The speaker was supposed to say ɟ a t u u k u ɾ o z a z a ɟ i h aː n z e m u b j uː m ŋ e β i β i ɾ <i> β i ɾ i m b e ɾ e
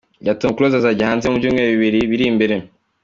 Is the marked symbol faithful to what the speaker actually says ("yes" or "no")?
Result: yes